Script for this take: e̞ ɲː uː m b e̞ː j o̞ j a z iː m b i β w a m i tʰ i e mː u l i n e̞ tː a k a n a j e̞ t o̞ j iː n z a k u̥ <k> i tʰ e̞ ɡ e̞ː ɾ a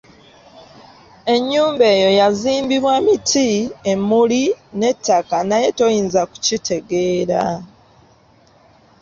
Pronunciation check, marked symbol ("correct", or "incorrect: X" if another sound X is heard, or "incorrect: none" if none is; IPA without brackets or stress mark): incorrect: c